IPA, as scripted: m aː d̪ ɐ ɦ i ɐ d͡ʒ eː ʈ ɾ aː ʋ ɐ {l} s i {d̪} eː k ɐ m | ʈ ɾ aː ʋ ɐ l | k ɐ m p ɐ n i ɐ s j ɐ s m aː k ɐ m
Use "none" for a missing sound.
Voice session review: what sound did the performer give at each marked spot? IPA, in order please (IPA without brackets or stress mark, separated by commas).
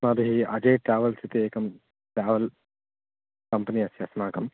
l, t̪